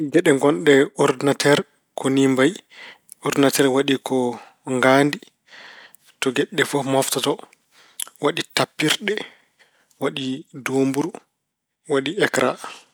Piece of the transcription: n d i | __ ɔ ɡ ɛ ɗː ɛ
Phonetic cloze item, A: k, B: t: B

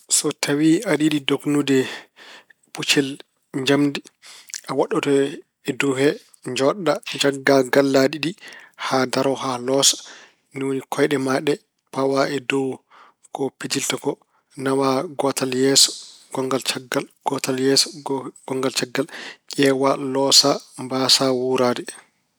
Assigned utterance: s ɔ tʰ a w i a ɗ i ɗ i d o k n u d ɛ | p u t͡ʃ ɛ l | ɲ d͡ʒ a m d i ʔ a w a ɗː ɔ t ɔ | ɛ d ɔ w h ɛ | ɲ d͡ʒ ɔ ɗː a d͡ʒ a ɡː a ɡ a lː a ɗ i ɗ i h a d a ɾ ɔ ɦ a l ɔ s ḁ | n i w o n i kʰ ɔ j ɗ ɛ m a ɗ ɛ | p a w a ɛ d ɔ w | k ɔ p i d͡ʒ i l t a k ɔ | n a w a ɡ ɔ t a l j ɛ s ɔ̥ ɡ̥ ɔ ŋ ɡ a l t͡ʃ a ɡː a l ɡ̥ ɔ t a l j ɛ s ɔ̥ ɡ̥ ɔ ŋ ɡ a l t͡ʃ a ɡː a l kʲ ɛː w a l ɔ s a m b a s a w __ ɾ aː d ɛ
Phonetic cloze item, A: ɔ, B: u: B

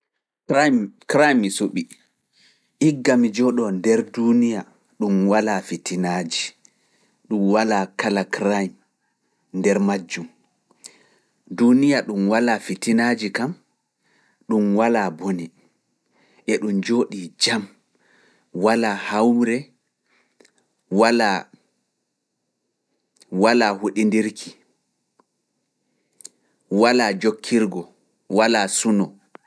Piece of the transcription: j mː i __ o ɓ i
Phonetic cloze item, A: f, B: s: B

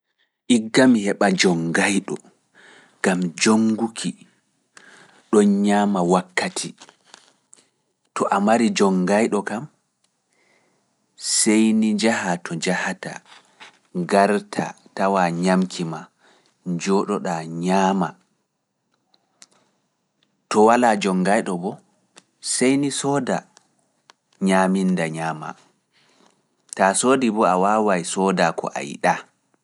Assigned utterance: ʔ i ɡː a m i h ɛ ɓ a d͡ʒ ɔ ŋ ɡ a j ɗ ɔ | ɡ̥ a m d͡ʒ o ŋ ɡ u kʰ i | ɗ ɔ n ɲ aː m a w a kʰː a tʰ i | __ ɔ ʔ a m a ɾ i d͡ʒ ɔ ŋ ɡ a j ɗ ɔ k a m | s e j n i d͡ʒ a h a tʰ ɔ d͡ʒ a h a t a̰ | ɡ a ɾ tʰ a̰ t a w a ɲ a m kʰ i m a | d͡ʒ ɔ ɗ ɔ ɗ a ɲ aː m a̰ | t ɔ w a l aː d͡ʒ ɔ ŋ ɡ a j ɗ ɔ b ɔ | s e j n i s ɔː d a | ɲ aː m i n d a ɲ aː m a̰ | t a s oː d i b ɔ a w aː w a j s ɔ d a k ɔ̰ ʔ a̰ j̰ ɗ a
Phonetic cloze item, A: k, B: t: B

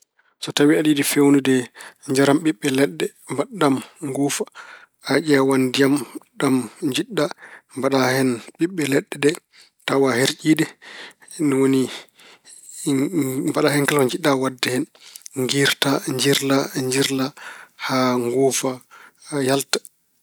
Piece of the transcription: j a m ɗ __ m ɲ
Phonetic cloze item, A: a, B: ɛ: A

